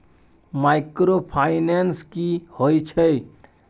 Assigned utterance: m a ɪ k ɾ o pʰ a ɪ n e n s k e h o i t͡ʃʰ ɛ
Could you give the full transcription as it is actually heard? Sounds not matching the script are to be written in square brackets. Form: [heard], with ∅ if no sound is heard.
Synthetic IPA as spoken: m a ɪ k ɾ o pʰ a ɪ n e n s k [i] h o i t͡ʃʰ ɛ